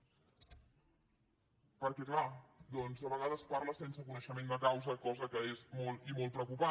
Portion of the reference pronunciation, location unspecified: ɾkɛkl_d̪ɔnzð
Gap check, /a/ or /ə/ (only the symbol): a